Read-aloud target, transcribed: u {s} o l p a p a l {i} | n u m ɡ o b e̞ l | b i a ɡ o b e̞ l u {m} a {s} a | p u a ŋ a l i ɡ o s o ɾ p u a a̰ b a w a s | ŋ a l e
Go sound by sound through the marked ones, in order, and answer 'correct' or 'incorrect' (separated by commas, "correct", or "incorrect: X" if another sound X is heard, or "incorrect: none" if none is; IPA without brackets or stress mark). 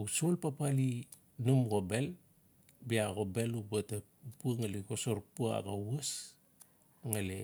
correct, correct, incorrect: b, incorrect: t